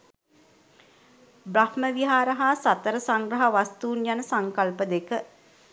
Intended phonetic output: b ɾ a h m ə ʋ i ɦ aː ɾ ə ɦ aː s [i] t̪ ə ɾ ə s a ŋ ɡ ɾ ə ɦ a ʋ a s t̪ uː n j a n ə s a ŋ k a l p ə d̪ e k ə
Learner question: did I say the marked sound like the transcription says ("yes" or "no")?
no